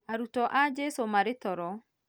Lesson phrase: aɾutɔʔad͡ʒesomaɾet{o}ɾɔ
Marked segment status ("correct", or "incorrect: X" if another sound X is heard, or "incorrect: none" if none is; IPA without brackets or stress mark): incorrect: ɔ